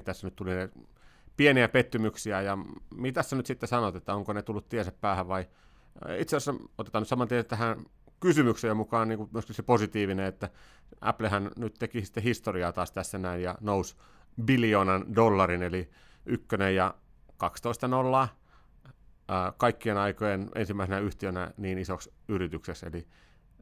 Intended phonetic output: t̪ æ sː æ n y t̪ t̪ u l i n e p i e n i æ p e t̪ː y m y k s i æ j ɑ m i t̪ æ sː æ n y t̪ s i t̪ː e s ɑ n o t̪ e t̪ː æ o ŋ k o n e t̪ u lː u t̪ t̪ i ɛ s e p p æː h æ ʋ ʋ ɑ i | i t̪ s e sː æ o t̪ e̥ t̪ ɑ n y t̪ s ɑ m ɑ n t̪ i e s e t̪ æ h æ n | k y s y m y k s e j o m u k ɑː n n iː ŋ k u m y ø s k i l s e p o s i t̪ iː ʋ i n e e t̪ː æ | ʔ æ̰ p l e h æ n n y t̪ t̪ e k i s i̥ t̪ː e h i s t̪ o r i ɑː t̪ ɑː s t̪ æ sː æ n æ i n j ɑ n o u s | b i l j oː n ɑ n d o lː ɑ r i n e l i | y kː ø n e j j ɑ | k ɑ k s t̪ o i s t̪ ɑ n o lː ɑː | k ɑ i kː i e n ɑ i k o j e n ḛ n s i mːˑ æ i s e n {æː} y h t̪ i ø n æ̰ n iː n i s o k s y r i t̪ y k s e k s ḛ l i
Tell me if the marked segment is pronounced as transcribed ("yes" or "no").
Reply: no